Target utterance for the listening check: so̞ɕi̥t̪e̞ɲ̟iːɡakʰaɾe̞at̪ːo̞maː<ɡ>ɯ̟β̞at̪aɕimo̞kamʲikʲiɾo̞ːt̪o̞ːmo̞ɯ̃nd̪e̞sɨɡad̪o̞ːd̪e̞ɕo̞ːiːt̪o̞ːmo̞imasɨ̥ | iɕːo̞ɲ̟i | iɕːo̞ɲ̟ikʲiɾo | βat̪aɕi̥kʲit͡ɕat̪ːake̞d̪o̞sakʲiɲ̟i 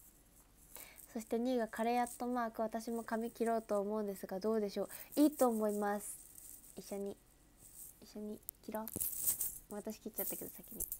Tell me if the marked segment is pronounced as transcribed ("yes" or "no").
no